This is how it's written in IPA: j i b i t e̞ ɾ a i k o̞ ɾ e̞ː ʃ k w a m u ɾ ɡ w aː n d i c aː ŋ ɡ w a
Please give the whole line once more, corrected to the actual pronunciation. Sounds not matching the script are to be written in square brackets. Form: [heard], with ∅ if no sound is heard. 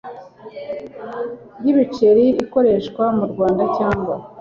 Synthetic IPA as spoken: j i [β] i [t͡ʃ] e̞ ɾ [i] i k o̞ ɾ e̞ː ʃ k w a m u ɾ ɡ w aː n d [a] c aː ŋ ɡ w a